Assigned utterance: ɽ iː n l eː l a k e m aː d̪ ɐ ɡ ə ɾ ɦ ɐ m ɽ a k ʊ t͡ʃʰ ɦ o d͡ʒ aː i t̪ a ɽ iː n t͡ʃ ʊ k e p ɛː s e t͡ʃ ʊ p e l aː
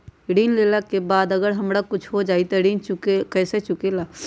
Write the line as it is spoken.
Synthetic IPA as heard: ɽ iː n l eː l a k e b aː d̪ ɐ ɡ ə ɾ ɦ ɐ m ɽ a k ʊ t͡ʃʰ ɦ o d͡ʒ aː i t̪ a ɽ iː n t͡ʃ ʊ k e k ɛː s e t͡ʃ ʊ k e l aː

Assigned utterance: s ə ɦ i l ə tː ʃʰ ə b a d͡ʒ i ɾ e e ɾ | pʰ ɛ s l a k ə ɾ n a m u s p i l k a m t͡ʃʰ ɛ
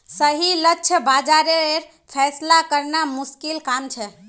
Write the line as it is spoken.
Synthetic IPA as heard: s ə ɦ i l ə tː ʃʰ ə b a d͡ʒ a ɾ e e ɾ | pʰ ɛ s l a k ə ɾ n a m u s k i l k a m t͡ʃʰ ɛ

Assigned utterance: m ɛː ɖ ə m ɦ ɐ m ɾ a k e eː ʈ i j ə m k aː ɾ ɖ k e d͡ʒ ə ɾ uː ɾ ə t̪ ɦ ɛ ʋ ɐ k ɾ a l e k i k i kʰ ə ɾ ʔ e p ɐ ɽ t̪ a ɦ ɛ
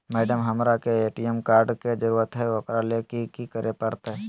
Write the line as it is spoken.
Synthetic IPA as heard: m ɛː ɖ ə m ɦ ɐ m ɾ a k e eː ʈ i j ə m k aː ɾ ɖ k e d͡ʒ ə ɾ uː ɾ ə t̪ ɦ ɛ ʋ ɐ k ɾ a l e k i k i k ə ɾ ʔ e p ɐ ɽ t̪ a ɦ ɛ

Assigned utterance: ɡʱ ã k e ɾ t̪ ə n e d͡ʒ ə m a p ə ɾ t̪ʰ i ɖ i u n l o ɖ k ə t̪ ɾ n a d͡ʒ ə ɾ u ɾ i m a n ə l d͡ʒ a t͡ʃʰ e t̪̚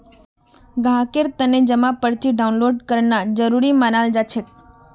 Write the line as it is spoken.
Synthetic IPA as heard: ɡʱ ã k e ɾ t̪ ə n e d͡ʒ ə m a p ə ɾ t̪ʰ i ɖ a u n l o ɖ k ə ɾ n a d͡ʒ ə ɾ u ɾ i m a n a l d͡ʒ a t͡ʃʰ e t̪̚

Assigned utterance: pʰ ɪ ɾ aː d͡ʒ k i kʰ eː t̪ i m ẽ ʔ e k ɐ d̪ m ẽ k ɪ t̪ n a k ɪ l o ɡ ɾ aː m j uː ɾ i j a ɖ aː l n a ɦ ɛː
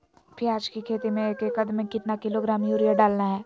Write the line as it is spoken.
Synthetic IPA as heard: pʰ ɪ ɾ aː d͡ʒ k i kʰ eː t̪ i m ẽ k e k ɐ d̪ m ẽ k ɪ t̪ n a k ɪ l o ɡ ɾ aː m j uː ɾ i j a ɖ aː l n a ɦ ɛː

